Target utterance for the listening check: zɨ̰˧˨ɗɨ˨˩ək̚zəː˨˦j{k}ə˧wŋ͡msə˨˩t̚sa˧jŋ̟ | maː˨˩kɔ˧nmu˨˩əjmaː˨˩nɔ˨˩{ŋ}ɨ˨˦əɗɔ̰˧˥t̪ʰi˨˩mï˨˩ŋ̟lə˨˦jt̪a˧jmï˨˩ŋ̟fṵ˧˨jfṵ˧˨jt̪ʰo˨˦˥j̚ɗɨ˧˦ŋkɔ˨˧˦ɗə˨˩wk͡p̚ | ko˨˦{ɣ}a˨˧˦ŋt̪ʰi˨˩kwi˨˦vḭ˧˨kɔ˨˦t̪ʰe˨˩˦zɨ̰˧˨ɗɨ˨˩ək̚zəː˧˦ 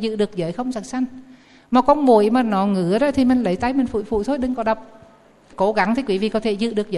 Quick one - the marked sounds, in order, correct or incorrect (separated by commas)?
incorrect, correct, correct